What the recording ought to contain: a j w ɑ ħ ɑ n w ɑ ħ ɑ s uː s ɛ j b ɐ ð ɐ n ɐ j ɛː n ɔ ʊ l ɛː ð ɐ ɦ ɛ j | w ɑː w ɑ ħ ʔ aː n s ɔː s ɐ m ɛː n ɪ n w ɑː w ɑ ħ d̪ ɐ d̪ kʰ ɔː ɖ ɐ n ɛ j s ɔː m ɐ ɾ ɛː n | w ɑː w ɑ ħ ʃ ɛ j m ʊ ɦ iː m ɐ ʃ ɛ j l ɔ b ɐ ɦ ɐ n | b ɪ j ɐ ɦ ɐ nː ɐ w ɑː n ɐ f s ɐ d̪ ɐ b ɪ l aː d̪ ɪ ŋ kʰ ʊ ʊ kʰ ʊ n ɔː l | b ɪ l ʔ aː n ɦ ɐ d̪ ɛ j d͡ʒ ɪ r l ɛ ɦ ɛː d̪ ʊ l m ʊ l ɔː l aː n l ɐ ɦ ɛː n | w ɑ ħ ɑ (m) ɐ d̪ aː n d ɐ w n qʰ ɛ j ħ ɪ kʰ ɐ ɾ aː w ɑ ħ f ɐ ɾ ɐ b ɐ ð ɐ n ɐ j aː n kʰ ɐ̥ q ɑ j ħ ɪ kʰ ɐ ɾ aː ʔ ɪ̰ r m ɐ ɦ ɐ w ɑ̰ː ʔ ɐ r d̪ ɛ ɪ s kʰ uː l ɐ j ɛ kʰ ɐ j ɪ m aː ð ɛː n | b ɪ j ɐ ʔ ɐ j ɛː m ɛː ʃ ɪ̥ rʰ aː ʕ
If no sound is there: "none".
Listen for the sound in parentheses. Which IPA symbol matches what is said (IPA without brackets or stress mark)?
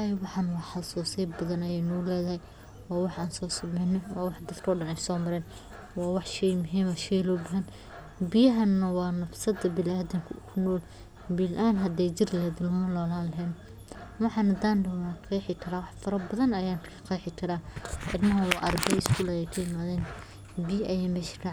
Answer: n